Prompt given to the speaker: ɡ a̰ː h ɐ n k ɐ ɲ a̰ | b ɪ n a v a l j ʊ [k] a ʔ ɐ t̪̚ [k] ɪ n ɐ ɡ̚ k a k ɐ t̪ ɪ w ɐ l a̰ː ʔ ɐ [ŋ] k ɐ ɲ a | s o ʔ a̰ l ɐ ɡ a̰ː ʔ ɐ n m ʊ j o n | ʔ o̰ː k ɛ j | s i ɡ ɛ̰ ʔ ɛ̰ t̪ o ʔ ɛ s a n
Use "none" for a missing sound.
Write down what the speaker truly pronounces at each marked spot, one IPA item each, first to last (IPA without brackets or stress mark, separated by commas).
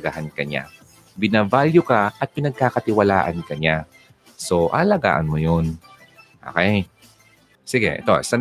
k, p, n